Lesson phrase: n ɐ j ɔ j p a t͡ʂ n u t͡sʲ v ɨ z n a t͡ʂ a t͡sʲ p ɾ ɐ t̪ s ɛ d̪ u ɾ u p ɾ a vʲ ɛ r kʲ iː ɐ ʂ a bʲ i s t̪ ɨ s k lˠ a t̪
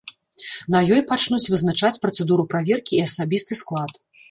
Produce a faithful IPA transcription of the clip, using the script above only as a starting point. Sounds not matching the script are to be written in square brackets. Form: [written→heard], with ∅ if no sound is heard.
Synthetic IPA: n ɐ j ɔ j p a t͡ʂ n u t͡sʲ v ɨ z n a t͡ʂ a t͡sʲ p ɾ ɐ t̪ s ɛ d̪ u ɾ u p ɾ a vʲ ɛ r kʲ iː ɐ [ʂ→s] a bʲ i s t̪ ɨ s k lˠ a t̪